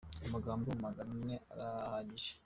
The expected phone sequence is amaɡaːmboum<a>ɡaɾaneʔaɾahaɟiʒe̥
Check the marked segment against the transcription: correct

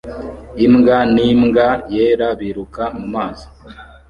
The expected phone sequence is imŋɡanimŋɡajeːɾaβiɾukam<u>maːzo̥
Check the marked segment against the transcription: correct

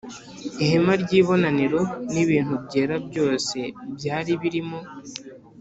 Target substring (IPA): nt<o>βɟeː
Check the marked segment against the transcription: incorrect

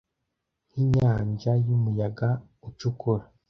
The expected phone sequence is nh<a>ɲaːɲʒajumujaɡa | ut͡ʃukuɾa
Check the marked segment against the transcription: incorrect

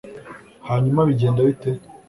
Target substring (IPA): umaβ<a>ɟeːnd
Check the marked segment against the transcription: incorrect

